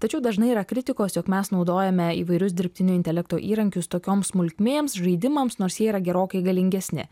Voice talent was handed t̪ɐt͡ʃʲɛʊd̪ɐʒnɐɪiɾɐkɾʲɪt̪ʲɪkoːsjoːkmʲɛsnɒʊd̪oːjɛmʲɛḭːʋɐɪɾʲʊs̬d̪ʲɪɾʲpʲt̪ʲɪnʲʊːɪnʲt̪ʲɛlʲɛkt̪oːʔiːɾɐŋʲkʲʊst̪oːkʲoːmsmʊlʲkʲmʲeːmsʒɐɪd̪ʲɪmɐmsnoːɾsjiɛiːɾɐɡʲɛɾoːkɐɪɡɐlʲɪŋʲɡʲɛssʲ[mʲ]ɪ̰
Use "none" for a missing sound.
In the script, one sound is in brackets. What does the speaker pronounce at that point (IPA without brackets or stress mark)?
nʲ